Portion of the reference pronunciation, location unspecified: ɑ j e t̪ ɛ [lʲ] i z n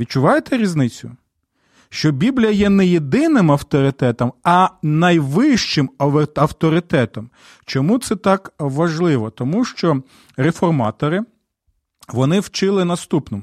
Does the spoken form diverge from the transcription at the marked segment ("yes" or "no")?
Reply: yes